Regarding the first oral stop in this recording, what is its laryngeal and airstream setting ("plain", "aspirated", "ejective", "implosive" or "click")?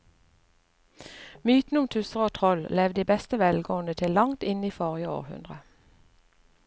plain